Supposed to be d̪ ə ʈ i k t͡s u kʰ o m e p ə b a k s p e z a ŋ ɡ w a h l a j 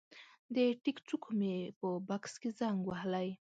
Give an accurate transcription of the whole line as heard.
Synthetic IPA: d̪ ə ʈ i k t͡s u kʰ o m e p ə b a k s k e z a ŋ ɡ w a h l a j

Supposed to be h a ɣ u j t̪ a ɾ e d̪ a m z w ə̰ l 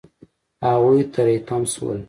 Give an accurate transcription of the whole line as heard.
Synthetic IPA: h a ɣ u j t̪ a ɾ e t̪ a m s w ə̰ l

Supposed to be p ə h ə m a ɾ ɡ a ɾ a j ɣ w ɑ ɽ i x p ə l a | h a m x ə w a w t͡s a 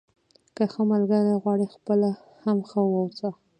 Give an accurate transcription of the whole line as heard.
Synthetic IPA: k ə x ə m a l ɡ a ɾ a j ɣ w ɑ ɽ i x p ə l a | h a m x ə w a w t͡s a

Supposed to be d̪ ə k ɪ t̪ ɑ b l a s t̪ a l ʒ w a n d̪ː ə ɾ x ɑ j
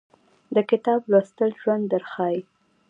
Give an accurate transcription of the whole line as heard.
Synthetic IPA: d̪ ə k ɪ t̪ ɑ b l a s t̪ ə l ʒ w a n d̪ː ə ɾ x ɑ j

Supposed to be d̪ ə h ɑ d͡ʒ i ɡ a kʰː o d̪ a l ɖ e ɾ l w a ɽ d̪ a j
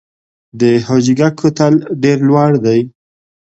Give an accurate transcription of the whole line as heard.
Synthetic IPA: d̪ ə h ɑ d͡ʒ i ɡ a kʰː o t̪ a l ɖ e ɾ l w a ɽ d̪ a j

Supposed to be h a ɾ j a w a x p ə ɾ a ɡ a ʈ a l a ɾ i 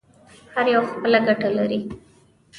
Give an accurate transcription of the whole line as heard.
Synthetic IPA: h a ɾ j a w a x p ə l a ɡ a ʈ a l a ɾ i

